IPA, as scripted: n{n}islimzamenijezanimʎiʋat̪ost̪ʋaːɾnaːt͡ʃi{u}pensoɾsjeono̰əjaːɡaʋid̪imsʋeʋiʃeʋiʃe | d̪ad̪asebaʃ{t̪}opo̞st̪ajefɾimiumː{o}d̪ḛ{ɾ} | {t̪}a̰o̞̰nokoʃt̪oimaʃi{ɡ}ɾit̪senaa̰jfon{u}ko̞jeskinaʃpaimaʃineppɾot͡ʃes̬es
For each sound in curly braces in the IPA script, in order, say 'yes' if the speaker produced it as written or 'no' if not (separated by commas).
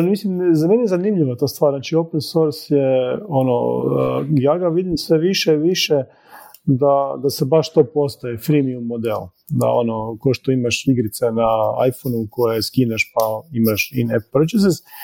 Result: no, no, yes, yes, no, no, yes, yes